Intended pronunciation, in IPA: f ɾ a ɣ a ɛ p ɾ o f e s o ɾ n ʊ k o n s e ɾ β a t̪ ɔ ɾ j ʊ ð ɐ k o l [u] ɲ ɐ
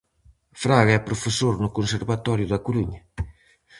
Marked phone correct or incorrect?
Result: correct